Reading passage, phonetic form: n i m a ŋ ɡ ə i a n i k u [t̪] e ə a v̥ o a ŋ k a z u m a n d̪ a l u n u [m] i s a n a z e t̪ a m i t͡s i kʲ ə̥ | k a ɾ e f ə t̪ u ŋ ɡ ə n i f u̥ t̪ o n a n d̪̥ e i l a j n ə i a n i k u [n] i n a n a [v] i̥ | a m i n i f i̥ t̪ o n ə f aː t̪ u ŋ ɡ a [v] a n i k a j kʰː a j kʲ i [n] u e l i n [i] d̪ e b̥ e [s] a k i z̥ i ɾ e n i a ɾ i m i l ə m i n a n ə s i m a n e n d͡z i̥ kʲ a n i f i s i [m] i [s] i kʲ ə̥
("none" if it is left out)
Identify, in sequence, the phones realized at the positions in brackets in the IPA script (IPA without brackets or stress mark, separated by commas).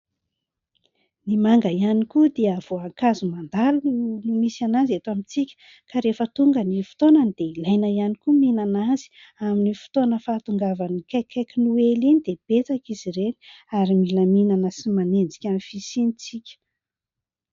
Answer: d̪, m, m, z, v, n, i, t͡s, n, t͡s